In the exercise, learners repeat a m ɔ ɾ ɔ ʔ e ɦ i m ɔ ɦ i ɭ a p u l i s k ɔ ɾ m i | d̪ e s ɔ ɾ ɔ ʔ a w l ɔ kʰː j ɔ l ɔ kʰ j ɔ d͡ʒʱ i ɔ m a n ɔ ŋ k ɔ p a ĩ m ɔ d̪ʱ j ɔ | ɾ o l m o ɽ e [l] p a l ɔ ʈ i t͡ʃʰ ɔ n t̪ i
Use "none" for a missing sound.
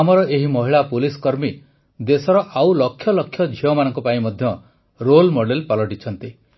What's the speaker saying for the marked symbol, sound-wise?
l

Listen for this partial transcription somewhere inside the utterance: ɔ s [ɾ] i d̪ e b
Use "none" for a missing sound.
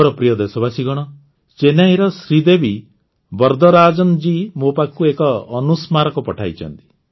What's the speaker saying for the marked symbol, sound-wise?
ɾ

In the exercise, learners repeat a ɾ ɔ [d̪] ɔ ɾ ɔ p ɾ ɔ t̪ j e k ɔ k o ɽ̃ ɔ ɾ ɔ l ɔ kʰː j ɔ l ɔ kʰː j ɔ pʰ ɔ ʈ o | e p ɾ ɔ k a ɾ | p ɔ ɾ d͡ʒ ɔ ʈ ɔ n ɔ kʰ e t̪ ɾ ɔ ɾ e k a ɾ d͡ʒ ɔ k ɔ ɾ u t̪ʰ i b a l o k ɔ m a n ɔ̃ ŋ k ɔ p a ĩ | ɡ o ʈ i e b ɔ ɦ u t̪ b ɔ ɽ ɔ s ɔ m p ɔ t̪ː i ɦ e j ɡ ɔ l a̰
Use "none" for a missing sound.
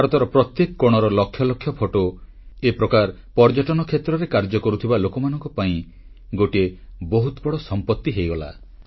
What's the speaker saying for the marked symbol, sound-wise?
t̪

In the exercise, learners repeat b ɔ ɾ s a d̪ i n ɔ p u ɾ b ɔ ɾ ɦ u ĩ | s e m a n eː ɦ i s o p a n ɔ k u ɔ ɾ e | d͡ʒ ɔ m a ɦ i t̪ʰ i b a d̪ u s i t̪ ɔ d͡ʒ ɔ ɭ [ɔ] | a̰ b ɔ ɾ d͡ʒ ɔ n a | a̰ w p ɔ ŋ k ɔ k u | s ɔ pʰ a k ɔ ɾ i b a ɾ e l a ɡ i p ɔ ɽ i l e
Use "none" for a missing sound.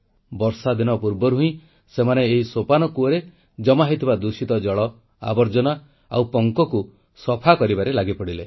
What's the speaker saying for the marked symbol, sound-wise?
ɔ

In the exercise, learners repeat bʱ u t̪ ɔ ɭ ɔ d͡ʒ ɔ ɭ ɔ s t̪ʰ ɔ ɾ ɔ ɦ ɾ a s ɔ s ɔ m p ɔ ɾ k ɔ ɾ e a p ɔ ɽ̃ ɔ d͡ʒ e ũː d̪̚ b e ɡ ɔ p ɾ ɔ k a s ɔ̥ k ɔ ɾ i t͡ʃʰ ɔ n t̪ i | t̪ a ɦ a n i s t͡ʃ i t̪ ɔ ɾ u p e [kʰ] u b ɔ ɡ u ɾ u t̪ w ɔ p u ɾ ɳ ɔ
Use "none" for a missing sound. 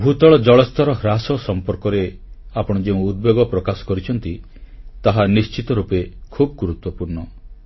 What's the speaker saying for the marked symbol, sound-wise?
kʰ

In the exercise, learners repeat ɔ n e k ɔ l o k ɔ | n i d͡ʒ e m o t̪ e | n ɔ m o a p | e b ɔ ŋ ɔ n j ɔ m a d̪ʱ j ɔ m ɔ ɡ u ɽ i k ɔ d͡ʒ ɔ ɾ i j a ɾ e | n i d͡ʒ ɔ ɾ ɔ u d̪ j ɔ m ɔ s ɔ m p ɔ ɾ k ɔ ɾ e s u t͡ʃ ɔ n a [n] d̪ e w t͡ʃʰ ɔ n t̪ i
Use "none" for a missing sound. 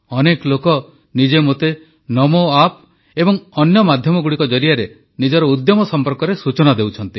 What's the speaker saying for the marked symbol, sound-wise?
none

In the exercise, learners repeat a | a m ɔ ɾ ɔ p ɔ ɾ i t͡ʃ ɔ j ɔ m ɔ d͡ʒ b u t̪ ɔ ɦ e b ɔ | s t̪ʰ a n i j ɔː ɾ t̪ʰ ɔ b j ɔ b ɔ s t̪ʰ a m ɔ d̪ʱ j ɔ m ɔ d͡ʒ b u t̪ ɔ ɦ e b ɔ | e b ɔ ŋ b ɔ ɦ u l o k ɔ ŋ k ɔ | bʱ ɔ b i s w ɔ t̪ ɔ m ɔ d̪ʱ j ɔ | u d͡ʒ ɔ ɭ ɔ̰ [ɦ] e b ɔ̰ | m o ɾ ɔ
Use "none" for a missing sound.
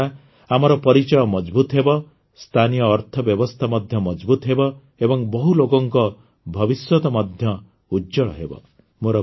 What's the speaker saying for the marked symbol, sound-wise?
ɦ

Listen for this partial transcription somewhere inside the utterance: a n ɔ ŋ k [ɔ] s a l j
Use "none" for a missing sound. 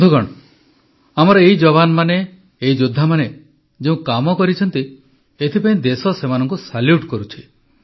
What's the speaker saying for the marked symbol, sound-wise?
u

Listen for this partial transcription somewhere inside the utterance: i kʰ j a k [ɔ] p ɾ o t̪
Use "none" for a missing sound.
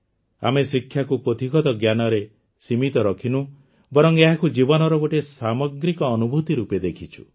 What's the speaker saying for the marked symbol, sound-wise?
u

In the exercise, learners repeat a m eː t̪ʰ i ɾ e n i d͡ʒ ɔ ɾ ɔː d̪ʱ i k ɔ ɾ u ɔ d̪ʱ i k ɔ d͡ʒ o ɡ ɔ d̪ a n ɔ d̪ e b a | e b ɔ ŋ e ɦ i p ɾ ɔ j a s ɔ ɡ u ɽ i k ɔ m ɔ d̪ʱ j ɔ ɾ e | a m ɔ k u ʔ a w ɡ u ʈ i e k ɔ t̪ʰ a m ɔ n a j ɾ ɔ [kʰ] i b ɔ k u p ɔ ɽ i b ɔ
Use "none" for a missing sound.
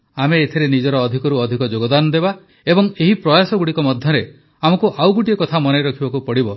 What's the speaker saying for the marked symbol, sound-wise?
kʰ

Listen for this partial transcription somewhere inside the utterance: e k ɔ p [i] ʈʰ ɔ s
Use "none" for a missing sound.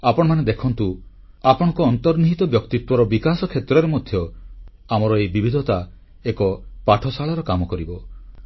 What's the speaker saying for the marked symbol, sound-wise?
a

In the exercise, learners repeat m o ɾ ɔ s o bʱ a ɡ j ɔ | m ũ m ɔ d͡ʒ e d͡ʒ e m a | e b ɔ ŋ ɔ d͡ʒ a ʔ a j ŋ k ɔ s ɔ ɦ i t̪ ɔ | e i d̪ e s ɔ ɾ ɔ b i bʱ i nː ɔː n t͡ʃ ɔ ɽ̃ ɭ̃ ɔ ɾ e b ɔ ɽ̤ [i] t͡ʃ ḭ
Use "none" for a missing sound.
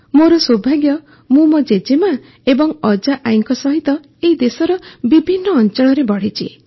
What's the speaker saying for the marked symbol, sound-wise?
i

